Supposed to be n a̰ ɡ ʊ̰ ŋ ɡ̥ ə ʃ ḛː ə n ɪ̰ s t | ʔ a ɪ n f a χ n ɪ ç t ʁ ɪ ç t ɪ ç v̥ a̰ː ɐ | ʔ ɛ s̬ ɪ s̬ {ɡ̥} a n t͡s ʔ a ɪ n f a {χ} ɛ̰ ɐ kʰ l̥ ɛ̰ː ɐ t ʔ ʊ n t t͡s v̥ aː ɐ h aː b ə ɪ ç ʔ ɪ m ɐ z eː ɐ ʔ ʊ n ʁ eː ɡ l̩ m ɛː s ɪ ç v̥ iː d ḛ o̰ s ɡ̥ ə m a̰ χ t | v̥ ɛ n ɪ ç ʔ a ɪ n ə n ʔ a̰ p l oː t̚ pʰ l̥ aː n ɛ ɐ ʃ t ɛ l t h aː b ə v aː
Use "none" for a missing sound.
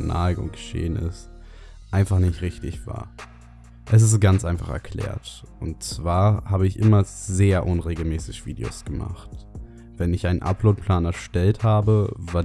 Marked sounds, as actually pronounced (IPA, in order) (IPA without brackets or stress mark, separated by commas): ɡ̥, χ